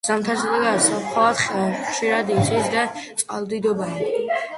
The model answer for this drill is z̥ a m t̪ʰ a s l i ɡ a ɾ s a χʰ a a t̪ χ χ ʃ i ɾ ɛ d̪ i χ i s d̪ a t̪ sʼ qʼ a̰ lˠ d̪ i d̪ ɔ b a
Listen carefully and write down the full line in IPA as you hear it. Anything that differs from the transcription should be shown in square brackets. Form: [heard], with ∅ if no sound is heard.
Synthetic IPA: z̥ a m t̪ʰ a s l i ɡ a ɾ s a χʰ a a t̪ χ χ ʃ i ɾ [a] d̪ i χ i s d̪ a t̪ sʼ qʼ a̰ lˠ d̪ i d̪ ɔ b a